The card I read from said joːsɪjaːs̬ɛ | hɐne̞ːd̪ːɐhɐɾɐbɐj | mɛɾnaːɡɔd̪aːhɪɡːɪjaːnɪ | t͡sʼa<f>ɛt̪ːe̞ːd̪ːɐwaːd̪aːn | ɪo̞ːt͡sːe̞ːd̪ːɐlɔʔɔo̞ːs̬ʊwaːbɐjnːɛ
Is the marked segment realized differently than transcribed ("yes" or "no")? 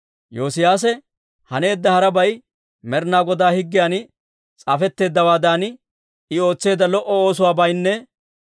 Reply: no